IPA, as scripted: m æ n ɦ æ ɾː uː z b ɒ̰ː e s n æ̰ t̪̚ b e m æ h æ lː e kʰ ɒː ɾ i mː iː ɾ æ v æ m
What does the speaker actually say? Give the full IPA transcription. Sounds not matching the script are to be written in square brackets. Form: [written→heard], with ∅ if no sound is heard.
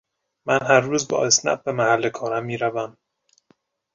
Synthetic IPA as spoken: m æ n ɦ æ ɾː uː z b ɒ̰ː e s n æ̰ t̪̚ b e m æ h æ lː e kʰ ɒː ɾ [i→æ] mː iː ɾ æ v æ m